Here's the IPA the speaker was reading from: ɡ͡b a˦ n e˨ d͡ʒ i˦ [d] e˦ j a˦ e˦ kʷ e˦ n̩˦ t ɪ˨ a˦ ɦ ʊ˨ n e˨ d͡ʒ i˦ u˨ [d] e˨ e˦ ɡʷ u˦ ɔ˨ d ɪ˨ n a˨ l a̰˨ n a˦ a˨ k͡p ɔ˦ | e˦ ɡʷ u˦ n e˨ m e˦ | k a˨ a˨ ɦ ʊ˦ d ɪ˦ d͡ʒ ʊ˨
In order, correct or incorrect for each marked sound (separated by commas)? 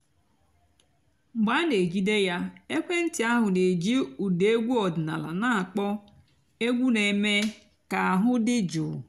correct, correct